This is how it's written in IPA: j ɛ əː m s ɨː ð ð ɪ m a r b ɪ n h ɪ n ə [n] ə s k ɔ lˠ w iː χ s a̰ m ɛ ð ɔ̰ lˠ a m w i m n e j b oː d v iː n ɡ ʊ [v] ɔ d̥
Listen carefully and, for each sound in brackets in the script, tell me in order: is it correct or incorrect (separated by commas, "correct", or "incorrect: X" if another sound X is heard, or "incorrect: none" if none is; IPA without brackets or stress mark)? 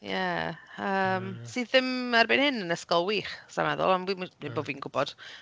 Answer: correct, incorrect: b